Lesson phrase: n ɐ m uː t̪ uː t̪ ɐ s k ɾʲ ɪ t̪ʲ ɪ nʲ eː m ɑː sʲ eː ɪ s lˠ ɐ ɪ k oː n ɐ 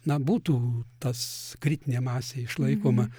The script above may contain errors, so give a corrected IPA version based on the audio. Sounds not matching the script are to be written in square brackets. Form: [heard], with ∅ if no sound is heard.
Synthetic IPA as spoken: n ɐ [b] uː t̪ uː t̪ ɐ s k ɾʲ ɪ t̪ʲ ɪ nʲ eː m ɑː sʲ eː ɪ [ʃ] lˠ ɐ ɪ k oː [m] ɐ